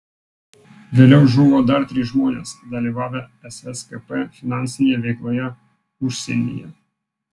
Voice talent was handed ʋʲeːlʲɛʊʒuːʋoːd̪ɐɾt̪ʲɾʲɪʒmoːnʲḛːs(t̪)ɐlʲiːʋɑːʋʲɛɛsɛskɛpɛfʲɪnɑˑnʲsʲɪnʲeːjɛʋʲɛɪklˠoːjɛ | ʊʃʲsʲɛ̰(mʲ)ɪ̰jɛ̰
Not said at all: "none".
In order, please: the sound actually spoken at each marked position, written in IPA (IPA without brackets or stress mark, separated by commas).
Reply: d̪, nʲ